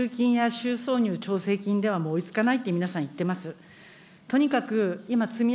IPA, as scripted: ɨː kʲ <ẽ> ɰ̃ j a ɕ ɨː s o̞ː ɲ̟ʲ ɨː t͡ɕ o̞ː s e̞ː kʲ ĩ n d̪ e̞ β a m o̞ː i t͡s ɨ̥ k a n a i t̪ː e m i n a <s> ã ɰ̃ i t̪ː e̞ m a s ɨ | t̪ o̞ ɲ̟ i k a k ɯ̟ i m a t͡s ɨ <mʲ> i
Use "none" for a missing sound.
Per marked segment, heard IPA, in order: ĩ, s, mʲ

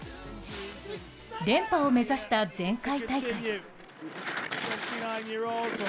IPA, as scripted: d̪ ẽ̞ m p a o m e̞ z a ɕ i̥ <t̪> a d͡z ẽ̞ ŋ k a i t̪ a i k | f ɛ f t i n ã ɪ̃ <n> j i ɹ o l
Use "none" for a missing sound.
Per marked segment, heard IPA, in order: t̪, n

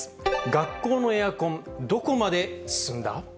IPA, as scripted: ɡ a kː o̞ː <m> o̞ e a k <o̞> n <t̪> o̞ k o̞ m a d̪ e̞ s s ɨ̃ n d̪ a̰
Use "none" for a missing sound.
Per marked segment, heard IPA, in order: n, õ̞, d̪

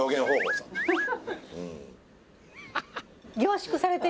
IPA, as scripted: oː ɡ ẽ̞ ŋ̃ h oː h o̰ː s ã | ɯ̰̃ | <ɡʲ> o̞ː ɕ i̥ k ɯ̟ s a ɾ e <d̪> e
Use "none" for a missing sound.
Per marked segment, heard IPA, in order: ɡʲ, t̪

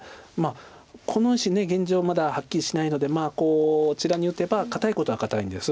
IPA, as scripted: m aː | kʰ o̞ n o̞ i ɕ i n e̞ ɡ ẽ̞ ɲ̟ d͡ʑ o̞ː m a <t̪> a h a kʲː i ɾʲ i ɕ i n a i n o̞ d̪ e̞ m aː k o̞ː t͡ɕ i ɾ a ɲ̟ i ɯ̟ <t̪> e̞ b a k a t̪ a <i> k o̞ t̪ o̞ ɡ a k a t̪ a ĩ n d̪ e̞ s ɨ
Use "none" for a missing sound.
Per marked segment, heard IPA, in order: d̪, t̪, i

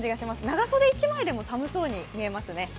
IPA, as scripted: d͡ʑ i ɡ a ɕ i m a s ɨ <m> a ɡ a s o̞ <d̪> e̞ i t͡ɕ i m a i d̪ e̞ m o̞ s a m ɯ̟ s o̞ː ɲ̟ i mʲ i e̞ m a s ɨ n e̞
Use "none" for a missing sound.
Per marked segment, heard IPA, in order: n, d̪

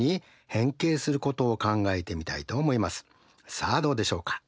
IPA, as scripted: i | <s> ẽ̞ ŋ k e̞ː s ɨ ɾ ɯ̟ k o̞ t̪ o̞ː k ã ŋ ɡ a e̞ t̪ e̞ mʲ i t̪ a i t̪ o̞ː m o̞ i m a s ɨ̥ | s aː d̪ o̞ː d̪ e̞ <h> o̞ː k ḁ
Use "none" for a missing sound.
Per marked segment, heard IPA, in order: h, ɕ

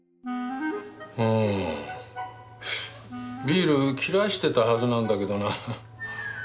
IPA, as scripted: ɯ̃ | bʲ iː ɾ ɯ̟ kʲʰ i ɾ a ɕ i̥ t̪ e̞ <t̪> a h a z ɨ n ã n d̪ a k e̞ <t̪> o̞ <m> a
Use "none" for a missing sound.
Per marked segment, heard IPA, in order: t̪, d̪, n

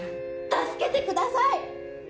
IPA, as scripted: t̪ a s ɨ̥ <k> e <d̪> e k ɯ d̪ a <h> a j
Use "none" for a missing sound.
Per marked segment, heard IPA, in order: k, t̪, s

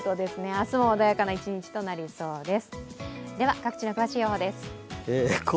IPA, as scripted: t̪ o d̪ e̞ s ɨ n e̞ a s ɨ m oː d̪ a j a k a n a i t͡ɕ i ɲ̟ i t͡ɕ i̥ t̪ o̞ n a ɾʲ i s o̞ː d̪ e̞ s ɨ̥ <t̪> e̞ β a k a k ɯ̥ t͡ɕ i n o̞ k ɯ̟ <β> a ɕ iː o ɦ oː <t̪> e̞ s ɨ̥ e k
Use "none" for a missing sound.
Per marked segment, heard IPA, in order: d̪, β, d̪

